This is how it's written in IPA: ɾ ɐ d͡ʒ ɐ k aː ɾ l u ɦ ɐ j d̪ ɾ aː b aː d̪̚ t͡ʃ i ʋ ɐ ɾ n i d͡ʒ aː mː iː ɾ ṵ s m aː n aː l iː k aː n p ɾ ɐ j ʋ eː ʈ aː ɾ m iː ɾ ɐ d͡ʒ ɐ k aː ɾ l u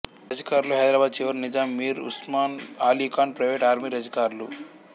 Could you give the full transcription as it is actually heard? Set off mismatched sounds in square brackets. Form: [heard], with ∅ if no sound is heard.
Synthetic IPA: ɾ ɐ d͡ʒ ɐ k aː ɾ l u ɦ ɐ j d̪ ɾ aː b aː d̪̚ t͡ʃ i ʋ ɐ ɾ n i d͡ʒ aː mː iː ɾ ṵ s m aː n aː l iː k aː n p ɾ ɐ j ʋ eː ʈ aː ɾ m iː ɾ ɐ d͡ʒ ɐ k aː ɾ l u